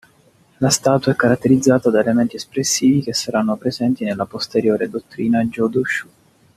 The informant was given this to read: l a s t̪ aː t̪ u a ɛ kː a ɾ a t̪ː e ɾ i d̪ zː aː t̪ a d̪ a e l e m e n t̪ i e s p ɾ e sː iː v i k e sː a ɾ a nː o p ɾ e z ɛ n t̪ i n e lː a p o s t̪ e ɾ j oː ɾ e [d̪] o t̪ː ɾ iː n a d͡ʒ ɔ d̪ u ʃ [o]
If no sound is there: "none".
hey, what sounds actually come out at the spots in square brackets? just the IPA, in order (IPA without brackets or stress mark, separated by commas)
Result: d̪, u